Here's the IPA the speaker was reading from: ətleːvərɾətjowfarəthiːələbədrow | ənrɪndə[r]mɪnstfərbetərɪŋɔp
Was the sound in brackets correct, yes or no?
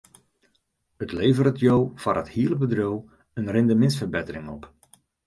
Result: no